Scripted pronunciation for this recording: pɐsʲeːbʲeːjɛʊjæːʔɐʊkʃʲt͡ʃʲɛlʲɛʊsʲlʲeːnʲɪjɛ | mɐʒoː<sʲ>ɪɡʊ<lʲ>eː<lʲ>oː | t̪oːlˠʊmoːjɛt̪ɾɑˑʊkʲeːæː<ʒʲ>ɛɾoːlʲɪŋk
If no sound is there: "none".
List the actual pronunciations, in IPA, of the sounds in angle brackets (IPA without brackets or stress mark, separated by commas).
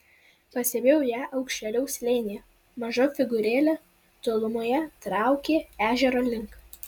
fʲ, ɾʲ, lʲ, ʒʲ